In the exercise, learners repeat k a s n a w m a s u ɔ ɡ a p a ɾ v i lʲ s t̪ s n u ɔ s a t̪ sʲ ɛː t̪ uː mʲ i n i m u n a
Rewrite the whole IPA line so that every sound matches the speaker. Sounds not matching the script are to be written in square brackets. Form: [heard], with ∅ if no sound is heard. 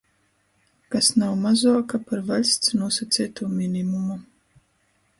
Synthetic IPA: k a s n a w m a [z] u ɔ [k] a p a ɾ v [a] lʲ s t̪ s n u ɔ s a t̪ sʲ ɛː t̪ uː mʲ i n i m u [m] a